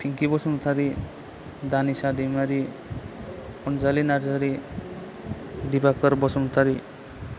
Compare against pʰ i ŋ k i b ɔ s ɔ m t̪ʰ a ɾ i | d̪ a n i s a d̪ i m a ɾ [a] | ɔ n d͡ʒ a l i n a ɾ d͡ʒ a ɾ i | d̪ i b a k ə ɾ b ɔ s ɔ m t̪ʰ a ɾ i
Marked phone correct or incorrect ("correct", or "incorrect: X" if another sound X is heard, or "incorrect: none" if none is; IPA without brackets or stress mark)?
incorrect: i